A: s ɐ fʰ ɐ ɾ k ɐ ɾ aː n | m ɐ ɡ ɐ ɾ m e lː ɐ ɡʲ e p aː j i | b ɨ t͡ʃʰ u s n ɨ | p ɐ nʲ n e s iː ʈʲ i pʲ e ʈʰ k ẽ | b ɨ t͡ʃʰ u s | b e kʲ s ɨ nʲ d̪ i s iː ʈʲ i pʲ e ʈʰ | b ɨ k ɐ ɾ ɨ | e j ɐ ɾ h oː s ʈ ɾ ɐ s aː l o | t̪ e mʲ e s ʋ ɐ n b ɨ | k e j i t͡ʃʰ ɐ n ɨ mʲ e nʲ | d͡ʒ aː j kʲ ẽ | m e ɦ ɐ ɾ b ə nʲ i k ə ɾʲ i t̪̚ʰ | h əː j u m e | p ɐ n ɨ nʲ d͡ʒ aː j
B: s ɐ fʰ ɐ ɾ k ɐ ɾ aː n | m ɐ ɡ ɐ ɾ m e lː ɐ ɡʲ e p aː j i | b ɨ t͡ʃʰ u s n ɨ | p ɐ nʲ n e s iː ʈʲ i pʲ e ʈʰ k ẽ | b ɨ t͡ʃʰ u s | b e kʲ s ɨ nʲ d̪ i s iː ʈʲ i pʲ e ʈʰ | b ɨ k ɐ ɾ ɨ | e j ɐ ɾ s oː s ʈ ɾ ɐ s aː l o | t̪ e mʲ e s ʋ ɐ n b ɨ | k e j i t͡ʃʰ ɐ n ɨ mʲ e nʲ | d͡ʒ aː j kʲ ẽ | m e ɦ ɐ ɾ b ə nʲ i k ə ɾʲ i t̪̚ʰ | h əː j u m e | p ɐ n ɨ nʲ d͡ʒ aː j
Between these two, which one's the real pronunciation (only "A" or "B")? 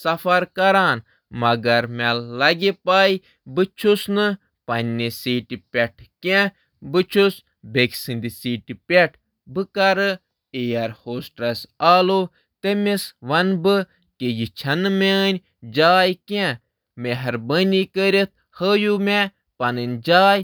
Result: A